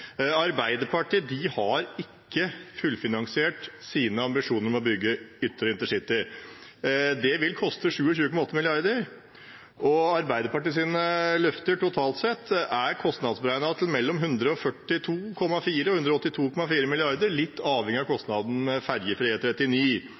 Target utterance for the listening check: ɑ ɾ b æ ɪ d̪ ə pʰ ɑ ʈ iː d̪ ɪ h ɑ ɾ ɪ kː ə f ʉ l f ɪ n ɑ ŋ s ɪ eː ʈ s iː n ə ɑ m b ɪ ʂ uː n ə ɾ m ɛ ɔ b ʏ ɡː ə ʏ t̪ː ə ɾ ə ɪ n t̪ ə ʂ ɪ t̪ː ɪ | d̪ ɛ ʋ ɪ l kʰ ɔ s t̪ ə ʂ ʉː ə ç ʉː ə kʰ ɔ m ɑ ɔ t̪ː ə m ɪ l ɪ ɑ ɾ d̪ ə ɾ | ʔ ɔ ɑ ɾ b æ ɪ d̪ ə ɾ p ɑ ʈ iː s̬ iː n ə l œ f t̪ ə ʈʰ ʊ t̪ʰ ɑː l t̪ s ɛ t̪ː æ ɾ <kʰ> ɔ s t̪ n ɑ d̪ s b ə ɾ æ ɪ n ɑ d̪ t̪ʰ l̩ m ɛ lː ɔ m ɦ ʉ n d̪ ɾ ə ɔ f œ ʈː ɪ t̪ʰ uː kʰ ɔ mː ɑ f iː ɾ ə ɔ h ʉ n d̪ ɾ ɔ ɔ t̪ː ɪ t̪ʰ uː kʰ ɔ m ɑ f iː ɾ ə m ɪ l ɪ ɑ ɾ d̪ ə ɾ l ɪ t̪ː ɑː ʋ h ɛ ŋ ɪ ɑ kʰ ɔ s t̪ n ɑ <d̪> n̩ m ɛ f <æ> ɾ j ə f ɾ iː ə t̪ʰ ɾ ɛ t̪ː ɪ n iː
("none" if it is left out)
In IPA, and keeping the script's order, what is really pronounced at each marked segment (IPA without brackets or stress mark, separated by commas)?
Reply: kʰ, d̪, æ